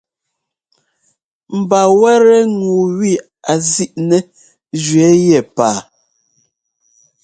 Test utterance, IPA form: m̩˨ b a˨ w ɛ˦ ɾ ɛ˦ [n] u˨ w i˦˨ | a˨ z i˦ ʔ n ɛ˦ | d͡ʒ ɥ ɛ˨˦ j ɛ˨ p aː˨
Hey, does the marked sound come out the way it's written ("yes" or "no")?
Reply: no